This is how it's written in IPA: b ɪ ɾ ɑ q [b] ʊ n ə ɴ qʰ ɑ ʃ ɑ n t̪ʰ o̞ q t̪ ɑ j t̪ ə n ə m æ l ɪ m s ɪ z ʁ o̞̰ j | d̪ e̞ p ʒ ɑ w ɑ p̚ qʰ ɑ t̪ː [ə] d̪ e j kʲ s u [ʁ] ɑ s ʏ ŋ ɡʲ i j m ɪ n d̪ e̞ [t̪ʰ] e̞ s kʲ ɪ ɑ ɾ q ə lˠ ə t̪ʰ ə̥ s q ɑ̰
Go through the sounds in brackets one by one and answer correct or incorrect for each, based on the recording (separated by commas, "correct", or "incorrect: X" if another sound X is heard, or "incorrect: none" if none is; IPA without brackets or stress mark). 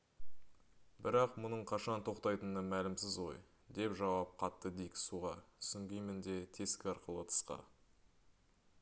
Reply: incorrect: m, correct, correct, correct